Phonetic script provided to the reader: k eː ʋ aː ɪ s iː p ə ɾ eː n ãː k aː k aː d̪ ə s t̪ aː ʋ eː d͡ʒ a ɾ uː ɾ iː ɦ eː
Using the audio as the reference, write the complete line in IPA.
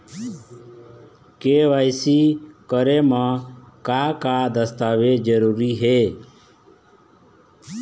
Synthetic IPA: k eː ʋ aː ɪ s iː k ə ɾ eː m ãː k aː k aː d̪ ə s t̪ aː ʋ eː d͡ʒ ə ɾ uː ɾ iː ɦ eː